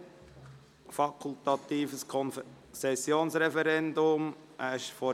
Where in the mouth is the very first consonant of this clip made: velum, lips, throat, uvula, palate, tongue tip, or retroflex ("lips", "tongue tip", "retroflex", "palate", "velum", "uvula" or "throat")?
lips